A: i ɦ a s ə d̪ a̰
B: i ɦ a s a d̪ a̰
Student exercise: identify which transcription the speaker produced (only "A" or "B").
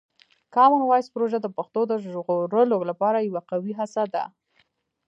B